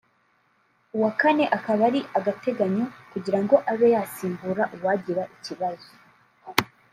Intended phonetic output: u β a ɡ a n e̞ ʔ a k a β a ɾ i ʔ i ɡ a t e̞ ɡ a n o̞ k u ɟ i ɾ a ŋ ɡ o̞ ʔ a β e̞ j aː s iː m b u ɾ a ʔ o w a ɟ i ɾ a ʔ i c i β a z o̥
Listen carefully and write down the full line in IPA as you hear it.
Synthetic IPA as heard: u w a k a n e̞ ʔ a k a β a ɾ i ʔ a ɡ a t e̞ ɡ a ɲ o̞ k u ɟ i ɾ a ŋ ɡ o̞ ʔ a β e̞ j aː s iː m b u ɾ a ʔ u w a ɟ i ɾ a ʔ i c i β a z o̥